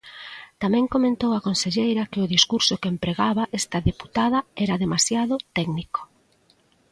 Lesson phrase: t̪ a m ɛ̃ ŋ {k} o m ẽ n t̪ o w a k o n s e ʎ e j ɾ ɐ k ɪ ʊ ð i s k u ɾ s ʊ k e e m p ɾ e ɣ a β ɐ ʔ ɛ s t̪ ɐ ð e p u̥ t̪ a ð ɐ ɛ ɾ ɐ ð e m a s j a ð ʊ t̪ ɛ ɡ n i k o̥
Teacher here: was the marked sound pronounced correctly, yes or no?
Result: yes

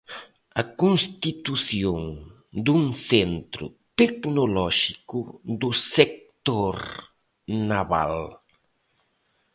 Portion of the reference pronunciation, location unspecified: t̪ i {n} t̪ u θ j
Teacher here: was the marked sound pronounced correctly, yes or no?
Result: no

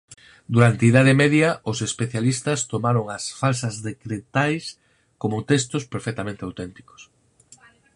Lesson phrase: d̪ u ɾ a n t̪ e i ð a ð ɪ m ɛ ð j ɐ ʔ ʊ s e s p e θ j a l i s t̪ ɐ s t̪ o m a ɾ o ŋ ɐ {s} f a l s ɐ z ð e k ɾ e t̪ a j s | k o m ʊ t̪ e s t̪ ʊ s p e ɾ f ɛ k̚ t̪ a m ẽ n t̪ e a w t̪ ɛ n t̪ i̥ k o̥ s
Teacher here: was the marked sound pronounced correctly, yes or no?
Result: yes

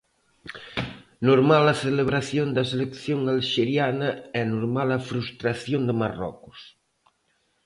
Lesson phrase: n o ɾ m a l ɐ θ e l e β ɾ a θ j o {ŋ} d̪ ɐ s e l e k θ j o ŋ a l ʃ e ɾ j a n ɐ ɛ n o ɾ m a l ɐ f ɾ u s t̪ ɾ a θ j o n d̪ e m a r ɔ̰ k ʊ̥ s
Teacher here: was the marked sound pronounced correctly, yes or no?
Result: no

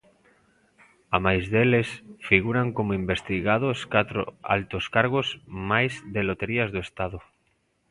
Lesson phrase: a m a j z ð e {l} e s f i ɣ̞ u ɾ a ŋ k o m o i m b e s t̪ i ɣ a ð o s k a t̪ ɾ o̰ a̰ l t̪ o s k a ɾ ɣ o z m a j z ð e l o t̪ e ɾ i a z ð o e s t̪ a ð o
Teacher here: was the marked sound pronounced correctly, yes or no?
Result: yes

